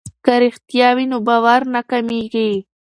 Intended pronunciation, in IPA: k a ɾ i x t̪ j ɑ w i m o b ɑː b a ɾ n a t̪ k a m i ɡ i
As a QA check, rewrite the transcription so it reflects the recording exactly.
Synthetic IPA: k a ɾ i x t̪ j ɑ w i n o b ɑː w a ɾ n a k a m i ɡ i